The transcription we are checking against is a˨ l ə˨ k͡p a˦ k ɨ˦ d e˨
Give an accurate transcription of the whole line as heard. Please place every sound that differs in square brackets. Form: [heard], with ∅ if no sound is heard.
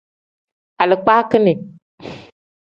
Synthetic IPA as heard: a˨ l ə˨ k͡p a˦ k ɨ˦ [n] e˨